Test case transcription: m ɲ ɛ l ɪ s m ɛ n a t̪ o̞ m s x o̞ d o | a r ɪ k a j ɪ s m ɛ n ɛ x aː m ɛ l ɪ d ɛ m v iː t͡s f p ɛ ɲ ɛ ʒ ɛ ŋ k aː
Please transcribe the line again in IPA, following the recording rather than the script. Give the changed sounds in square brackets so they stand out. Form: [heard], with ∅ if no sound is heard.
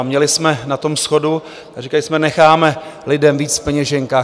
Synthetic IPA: m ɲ ɛ l ɪ s m ɛ n a t̪ o̞ m s x o̞ d [u] | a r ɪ k a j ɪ s m ɛ n ɛ x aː m ɛ l ɪ d ɛ m v iː t͡s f p ɛ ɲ ɛ ʒ ɛ ŋ k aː